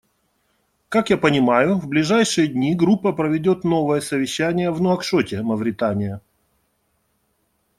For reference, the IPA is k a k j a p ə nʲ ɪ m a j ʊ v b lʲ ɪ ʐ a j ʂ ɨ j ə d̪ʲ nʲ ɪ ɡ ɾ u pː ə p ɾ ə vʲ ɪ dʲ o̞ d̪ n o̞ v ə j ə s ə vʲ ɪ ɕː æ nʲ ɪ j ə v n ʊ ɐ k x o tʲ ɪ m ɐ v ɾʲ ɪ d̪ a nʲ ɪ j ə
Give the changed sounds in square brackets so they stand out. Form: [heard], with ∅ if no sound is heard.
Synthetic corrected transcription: k a k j a p ə nʲ ɪ m a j ʊ v b lʲ ɪ ʐ a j ʂ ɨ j ə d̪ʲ nʲ [i] ɡ ɾ u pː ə p ɾ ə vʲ ɪ dʲ o̞ [t̪] n o̞ v ə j ə s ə vʲ ɪ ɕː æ nʲ ɪ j ə v n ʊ ɐ k [ʂ] o tʲ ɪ m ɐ v ɾʲ ɪ [t̪] a nʲ ɪ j ə